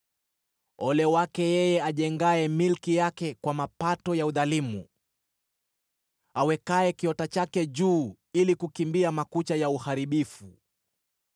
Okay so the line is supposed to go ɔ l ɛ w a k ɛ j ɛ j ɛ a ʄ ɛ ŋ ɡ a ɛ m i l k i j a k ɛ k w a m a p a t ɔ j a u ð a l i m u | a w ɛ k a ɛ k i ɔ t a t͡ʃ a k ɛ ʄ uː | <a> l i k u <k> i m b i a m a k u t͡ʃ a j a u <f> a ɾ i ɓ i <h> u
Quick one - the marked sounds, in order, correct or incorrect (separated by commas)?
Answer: incorrect, correct, incorrect, incorrect